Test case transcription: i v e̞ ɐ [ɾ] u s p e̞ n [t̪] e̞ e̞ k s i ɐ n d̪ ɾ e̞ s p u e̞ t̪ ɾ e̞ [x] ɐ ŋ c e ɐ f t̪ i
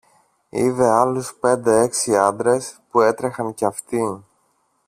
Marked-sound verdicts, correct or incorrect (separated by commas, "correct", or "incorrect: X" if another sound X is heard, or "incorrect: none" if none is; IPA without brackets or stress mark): incorrect: l, incorrect: d̪, correct